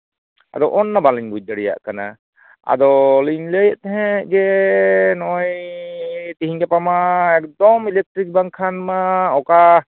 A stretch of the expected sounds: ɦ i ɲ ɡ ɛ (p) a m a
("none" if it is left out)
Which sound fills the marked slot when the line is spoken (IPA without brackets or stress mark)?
p